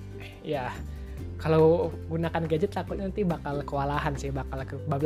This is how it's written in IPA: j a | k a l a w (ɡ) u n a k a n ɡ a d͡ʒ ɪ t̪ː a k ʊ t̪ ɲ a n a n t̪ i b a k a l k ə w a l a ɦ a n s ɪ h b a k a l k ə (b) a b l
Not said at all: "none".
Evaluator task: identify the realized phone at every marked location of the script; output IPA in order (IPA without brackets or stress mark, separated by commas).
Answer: ɡ, b